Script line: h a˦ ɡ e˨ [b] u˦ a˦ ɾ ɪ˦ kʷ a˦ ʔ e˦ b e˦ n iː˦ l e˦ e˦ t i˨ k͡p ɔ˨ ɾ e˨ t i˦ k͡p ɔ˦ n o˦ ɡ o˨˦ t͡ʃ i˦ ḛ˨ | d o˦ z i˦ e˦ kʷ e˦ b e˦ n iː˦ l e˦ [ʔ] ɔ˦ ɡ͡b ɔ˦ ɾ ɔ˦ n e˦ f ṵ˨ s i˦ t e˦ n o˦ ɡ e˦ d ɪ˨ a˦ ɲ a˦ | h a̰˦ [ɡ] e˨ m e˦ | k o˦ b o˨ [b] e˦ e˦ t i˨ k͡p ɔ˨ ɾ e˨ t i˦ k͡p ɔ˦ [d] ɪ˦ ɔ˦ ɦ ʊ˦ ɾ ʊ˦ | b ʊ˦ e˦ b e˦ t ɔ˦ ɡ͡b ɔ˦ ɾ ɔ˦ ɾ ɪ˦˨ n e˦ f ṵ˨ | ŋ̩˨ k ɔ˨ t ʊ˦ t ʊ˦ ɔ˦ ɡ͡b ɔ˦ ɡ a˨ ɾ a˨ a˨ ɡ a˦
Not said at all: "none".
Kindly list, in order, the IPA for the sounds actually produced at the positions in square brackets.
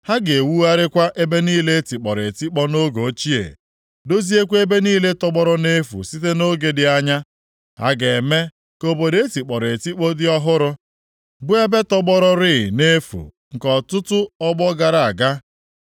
w, t, ɡ, d, d

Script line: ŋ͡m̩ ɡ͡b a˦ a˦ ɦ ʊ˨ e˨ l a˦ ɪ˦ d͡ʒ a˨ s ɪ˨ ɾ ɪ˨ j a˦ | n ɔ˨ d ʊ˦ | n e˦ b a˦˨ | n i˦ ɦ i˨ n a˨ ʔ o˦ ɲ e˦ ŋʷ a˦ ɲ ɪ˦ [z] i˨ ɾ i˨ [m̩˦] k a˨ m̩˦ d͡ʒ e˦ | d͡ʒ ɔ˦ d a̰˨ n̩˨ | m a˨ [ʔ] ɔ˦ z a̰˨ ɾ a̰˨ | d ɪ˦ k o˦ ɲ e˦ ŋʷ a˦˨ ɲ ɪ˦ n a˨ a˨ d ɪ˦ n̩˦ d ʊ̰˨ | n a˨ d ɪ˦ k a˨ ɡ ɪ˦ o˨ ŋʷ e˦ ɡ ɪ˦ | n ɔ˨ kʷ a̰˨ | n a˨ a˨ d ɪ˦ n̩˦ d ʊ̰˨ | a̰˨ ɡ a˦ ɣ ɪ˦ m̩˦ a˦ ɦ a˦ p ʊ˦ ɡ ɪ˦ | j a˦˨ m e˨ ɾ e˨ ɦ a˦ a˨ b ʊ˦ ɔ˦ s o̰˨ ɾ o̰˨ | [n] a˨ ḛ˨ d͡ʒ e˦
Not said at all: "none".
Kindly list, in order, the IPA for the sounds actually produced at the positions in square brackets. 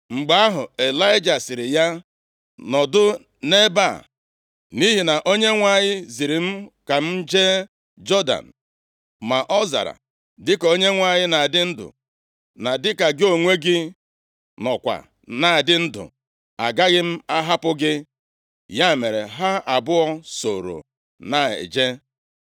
z, m̩˦, ʔ, n

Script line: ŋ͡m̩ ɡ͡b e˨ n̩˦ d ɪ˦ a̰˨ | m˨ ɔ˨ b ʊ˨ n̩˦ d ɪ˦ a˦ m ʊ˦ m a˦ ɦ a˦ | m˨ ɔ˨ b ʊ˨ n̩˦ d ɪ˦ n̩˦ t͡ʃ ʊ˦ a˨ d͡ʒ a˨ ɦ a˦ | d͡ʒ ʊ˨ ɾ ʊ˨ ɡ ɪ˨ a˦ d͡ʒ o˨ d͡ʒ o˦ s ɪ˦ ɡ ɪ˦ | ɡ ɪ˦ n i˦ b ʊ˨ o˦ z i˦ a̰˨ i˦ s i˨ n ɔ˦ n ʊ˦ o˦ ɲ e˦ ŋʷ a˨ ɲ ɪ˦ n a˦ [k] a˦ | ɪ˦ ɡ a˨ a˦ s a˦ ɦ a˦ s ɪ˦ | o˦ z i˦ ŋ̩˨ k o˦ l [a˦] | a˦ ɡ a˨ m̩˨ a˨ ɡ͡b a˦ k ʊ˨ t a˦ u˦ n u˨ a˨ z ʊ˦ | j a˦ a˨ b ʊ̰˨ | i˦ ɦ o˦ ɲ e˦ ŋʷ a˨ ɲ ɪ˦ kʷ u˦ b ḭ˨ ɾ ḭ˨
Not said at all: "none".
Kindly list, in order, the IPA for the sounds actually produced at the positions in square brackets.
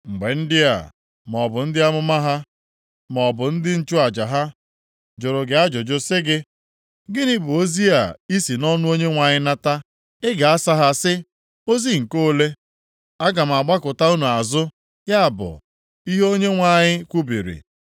t, e˦

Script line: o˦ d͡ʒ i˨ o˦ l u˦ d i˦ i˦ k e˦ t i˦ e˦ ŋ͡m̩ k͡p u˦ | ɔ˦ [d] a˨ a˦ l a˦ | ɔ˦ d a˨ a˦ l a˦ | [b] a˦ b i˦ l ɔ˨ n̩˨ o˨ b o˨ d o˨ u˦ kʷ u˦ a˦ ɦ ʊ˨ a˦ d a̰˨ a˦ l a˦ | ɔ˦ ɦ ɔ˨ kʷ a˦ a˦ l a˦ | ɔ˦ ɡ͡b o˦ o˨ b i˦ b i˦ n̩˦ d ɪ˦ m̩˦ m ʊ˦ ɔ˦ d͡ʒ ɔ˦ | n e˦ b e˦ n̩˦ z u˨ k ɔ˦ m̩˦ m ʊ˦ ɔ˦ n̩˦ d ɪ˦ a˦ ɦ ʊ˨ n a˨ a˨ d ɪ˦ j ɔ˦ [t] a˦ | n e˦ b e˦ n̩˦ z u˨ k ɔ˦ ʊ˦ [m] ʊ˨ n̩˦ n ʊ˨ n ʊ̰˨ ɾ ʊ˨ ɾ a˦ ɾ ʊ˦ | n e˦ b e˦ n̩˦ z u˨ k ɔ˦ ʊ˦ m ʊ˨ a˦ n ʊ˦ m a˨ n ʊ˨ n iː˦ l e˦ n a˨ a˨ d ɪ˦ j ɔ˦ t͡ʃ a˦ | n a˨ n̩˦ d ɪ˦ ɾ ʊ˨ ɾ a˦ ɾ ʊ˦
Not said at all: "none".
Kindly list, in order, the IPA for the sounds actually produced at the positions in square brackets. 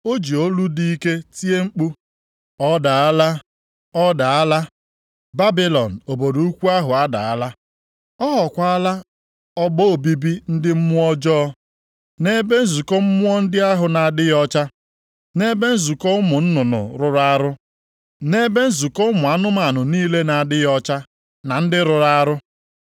d, b, t͡ʃ, m

